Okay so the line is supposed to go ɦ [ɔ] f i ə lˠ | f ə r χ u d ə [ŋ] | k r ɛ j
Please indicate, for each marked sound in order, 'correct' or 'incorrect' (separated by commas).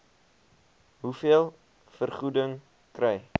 incorrect, correct